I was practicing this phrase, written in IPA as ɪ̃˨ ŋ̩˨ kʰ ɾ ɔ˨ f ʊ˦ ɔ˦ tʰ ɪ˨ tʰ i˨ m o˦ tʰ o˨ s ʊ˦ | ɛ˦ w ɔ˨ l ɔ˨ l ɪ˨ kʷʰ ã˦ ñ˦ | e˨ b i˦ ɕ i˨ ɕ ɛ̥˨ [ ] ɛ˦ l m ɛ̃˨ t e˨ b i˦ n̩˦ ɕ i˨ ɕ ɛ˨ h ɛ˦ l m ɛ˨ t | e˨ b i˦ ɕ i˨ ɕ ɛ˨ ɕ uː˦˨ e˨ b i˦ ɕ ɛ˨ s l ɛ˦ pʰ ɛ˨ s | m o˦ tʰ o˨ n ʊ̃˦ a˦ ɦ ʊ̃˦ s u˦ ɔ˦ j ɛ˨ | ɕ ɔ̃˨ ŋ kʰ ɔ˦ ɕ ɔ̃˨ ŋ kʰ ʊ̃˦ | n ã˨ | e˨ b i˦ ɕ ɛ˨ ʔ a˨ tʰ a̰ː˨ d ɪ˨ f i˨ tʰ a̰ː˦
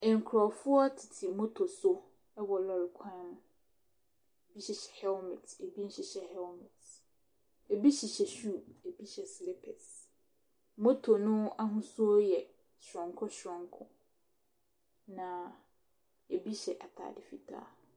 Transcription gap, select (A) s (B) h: B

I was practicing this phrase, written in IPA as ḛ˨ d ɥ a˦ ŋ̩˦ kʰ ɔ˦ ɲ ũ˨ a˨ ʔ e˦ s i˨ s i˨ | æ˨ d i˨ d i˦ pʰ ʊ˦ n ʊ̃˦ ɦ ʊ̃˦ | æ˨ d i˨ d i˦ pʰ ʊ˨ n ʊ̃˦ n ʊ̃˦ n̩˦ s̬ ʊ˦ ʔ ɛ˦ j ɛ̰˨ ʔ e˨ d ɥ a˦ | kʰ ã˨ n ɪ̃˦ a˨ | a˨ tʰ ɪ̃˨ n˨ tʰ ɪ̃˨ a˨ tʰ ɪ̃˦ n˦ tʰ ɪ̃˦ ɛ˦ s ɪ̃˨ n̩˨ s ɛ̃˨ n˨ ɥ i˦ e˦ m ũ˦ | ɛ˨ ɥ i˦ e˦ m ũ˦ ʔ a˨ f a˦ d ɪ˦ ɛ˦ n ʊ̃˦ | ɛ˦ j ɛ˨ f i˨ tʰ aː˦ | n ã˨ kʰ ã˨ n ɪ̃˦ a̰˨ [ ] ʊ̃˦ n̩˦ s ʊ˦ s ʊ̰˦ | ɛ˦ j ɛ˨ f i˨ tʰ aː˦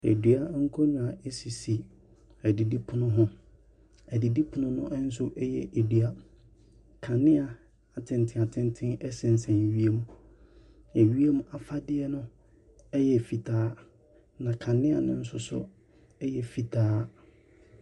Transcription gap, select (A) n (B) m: A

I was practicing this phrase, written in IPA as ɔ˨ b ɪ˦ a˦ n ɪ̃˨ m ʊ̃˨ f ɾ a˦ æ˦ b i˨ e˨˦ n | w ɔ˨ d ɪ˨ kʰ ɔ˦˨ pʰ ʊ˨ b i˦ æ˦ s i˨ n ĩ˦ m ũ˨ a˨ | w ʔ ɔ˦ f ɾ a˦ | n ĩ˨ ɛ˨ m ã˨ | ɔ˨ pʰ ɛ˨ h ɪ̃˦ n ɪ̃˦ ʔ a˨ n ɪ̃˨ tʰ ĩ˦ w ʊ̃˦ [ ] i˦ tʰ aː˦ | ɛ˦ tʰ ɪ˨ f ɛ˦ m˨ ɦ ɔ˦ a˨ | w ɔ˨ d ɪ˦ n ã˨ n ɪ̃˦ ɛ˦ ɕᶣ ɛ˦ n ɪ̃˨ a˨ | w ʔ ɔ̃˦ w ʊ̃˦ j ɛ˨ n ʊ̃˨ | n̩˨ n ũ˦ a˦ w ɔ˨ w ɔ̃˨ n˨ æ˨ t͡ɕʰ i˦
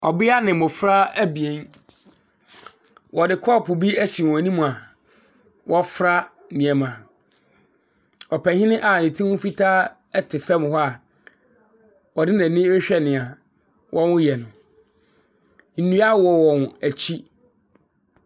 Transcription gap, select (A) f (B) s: A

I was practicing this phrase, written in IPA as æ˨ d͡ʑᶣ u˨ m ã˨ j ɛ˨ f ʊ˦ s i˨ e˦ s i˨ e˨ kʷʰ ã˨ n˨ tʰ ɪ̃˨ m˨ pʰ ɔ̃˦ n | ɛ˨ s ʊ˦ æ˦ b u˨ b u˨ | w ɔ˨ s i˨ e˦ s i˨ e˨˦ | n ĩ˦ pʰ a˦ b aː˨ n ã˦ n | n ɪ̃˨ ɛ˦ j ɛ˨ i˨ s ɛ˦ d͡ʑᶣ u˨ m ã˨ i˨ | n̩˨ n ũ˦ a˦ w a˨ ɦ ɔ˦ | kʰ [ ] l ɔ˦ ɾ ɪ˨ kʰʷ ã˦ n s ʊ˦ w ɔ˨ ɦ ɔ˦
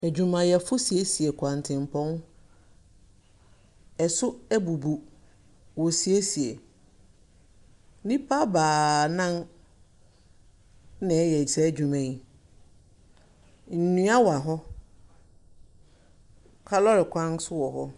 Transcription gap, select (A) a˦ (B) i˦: A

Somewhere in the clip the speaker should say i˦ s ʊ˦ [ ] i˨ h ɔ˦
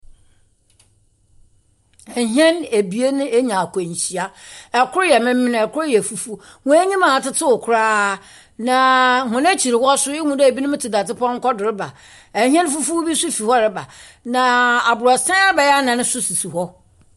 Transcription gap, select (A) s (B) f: B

